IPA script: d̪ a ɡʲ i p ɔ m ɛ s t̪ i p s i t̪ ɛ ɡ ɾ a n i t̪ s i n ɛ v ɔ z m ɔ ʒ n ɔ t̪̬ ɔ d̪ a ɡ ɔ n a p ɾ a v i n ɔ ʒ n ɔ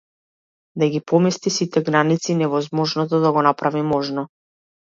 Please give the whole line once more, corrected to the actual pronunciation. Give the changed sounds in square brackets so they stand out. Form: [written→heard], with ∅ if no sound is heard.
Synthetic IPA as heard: d̪ a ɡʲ i p ɔ m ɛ s t̪ i [p→∅] s i t̪ ɛ ɡ ɾ a n i t̪ s i n ɛ v ɔ z m ɔ ʒ n ɔ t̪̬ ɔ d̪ a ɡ ɔ n a p ɾ a v i [n→m] ɔ ʒ n ɔ